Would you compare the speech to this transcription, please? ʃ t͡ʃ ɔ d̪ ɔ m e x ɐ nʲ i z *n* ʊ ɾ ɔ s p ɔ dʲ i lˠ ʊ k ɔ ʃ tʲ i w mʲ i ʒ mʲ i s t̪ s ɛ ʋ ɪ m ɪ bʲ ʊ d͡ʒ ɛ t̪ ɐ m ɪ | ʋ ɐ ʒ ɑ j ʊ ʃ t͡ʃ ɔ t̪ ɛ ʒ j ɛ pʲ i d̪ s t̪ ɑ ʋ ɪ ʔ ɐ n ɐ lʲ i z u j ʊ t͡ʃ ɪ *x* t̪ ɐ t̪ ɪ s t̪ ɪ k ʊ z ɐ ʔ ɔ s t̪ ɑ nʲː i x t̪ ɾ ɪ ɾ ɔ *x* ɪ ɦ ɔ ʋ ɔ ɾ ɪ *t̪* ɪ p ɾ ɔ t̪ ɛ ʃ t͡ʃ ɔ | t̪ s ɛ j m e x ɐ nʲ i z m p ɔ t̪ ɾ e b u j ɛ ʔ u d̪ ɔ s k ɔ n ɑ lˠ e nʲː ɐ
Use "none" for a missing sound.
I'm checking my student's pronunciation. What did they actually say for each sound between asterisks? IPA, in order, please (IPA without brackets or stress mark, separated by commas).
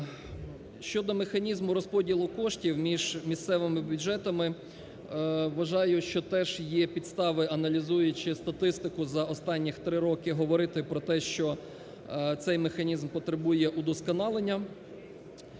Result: m, s, k, t̪